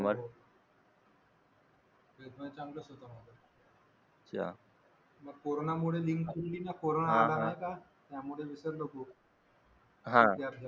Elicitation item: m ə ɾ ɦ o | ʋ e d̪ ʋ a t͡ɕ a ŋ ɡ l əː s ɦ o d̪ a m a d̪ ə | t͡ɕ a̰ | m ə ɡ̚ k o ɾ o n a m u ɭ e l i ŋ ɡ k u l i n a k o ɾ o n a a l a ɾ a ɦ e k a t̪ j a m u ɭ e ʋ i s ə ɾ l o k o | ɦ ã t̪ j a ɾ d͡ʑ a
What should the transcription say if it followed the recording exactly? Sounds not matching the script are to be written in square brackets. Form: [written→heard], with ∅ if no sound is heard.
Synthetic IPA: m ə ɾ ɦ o | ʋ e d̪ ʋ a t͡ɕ a ŋ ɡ l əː s ɦ o [d̪→t̪] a m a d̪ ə | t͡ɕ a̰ | m ə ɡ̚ k o ɾ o n a m u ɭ e l i ŋ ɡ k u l i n a k o ɾ o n a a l a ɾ a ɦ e k a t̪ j a m u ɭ e ʋ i s ə ɾ l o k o | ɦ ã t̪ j a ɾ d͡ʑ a

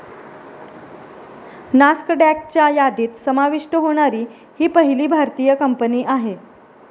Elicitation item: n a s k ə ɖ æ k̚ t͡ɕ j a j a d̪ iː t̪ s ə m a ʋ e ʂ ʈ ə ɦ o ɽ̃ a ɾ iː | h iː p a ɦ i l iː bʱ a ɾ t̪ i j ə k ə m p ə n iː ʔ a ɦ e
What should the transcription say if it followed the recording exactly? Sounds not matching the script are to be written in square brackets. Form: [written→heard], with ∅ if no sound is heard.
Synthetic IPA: n a s k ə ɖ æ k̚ t͡ɕ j a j a d̪ iː t̪ s ə m a ʋ [e→i] ʂ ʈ ə ɦ o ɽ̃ a ɾ iː | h iː p [a→ə] ɦ i l iː bʱ a ɾ t̪ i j ə k ə m p ə n iː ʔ a ɦ e

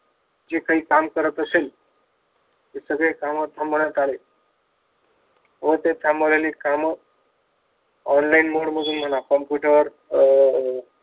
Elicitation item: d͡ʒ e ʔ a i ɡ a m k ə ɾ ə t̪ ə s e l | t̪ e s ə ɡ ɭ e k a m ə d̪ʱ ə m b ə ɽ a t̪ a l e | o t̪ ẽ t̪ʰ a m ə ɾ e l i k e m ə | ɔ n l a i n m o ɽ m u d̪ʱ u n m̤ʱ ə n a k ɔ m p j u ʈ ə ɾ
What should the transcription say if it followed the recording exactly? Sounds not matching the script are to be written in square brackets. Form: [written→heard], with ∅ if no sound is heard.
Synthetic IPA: d͡ʒ e [ʔ→k] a i [ɡ→k] a m k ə ɾ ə t̪ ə s e l | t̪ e s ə ɡ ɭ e k a m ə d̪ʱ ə m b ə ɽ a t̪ a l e | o t̪ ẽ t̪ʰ a m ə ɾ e l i k [e→a] m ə | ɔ n l a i n m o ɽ m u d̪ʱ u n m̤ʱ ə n a k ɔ m p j u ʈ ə ɾ

